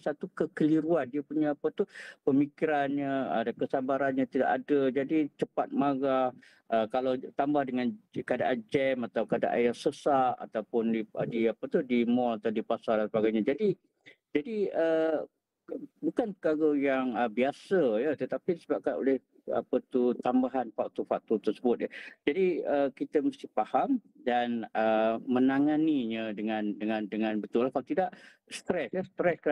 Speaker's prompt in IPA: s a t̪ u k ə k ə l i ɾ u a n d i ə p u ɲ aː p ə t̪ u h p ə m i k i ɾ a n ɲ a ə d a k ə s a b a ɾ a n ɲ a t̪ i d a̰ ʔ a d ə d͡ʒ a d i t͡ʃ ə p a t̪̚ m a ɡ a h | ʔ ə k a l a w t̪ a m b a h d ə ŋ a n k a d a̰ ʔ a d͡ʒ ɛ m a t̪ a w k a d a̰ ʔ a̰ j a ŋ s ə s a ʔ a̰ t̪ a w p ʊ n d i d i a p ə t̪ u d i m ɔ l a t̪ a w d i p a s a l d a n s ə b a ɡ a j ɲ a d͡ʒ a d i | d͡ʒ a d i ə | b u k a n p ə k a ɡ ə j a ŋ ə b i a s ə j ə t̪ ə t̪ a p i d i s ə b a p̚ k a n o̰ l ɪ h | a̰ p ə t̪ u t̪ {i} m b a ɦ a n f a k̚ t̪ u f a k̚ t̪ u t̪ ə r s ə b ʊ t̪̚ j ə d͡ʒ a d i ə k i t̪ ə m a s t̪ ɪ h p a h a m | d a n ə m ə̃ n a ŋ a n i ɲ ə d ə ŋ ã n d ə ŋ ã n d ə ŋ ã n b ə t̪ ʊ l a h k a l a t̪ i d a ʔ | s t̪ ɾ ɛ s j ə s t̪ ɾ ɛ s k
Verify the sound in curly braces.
incorrect: a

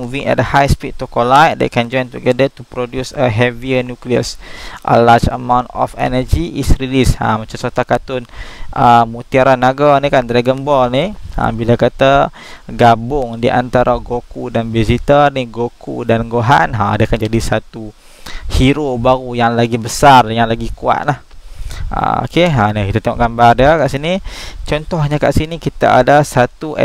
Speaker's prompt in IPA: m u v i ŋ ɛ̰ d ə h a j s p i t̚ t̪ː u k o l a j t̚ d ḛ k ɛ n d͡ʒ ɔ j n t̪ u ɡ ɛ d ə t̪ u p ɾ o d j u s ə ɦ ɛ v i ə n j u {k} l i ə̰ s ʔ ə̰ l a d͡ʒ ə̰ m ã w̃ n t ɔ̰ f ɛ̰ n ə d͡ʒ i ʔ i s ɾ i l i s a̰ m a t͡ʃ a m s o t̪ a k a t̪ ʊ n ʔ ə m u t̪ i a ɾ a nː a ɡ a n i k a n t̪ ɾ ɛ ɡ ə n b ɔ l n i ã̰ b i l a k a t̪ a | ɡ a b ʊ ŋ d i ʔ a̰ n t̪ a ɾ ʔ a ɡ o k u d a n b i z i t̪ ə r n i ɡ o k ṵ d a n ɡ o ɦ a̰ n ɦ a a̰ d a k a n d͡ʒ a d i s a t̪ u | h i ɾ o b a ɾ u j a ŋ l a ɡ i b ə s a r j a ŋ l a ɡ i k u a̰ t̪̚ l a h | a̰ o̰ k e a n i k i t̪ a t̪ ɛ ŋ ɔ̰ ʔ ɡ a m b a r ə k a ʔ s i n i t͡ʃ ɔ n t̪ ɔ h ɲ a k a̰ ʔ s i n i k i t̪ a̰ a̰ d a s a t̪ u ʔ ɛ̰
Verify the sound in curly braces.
correct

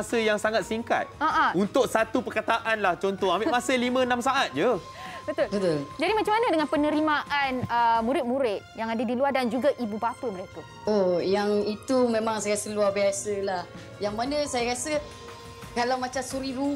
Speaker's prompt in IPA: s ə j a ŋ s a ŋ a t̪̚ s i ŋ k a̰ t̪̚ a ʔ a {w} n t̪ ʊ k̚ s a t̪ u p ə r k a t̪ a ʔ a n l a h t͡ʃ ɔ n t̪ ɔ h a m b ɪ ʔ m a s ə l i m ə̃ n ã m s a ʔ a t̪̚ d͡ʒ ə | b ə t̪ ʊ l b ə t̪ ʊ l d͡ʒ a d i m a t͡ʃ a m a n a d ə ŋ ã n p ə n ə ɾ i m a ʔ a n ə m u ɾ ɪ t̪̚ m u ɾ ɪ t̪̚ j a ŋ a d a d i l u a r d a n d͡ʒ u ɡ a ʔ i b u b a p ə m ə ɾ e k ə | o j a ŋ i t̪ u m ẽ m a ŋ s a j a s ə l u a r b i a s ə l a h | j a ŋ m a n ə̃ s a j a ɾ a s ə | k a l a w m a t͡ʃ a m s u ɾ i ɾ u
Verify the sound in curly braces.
incorrect: u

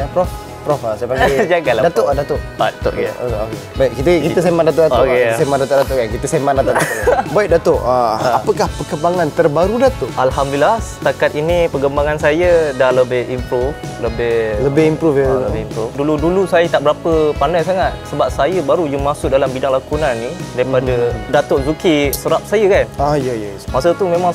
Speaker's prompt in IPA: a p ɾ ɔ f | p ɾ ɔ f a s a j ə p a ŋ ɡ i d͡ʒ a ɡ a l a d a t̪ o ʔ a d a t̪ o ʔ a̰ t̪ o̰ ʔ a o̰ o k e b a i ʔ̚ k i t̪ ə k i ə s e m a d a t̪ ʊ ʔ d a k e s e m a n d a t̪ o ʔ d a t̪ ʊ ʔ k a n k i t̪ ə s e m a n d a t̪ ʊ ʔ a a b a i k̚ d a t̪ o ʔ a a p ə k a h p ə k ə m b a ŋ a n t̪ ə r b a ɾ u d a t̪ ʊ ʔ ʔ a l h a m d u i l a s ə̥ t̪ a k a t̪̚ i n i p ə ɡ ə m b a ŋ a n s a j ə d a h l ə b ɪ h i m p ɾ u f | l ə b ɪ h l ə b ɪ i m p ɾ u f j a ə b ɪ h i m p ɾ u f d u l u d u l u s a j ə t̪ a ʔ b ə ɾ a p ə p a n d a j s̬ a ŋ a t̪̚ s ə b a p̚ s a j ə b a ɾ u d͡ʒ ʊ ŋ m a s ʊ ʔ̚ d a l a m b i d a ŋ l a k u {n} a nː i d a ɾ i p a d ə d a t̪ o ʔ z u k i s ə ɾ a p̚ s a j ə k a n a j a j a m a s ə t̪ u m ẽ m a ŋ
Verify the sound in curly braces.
correct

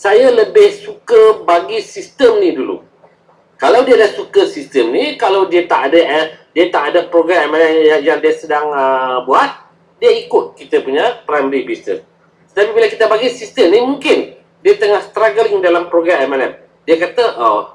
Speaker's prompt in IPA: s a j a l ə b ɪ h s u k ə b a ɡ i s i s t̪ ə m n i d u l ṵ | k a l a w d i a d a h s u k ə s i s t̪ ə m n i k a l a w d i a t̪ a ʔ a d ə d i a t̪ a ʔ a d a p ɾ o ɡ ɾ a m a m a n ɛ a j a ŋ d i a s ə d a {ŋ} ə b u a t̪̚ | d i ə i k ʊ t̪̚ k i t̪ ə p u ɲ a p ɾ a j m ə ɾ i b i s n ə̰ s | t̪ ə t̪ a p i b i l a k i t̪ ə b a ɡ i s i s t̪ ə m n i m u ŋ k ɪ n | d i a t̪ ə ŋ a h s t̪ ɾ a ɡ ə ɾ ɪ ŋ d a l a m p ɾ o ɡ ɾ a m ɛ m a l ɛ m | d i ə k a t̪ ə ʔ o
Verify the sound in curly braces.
correct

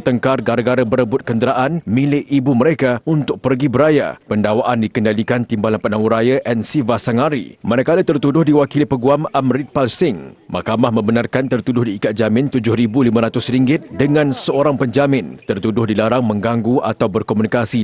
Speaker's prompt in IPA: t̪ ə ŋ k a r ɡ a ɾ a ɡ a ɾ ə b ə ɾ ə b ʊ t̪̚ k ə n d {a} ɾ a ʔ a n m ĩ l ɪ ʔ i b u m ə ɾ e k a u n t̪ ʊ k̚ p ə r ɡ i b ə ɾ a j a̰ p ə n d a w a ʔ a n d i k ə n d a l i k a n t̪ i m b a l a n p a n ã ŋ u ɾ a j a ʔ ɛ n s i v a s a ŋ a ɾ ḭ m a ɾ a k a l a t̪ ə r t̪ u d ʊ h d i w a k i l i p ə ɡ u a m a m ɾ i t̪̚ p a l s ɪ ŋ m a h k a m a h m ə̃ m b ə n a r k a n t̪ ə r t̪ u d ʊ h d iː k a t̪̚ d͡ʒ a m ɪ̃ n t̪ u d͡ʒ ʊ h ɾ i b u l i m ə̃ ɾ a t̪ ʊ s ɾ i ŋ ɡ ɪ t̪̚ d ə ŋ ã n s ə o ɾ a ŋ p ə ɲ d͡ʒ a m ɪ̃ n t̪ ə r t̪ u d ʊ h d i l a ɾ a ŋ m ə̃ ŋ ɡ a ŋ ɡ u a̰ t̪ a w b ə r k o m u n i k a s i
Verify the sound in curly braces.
incorrect: ə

